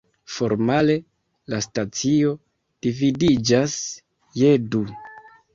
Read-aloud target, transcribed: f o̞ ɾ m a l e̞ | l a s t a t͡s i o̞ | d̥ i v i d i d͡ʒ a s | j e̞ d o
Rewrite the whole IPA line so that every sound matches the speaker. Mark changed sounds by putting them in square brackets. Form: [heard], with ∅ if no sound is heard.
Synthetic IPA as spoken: f o̞ ɾ m a l e̞ | l a s t a t͡s i o̞ | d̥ i v i d i d͡ʒ a s | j e̞ d [u]